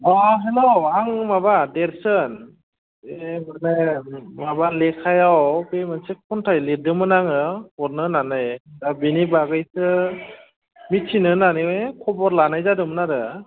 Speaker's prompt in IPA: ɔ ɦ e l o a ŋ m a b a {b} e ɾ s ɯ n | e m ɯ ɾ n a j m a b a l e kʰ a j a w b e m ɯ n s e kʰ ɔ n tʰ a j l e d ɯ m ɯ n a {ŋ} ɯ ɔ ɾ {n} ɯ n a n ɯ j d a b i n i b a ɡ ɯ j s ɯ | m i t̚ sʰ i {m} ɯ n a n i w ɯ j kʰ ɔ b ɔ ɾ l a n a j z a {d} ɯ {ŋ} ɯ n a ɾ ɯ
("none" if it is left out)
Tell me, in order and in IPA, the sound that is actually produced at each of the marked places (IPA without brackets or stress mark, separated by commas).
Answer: d, ŋ, n, n, d, m